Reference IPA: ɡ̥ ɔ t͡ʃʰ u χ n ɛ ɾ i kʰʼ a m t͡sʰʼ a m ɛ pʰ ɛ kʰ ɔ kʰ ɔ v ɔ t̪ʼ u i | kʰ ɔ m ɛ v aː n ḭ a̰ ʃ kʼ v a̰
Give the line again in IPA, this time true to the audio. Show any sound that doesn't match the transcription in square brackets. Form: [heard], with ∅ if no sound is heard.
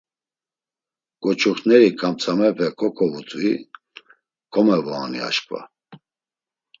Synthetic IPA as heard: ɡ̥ ɔ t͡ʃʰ u χ n ɛ ɾ i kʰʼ a m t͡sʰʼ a m ɛ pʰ ɛ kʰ ɔ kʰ ɔ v [u] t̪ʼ u i | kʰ ɔ m ɛ v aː n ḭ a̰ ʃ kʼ v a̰